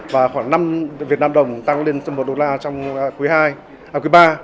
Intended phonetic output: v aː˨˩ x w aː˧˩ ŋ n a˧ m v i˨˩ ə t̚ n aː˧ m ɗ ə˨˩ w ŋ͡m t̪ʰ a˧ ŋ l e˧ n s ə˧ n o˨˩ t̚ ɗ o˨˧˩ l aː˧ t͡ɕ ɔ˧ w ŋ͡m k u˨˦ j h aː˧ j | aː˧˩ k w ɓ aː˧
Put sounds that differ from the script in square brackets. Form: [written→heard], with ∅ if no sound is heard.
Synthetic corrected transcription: v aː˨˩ x w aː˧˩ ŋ n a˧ m v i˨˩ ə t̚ n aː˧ m ɗ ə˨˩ w ŋ͡m [t̪ʰ→t̪] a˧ ŋ l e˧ n s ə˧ [n→m] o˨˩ t̚ ɗ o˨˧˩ l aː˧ t͡ɕ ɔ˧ w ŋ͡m k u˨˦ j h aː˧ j | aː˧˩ k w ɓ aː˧